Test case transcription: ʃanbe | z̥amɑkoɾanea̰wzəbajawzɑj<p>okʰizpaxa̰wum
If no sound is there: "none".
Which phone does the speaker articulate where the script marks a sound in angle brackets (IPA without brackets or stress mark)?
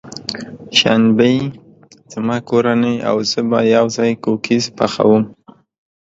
k